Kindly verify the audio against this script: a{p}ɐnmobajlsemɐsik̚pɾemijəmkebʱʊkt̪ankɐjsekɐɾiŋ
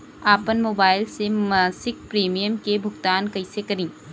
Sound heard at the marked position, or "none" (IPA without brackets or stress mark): p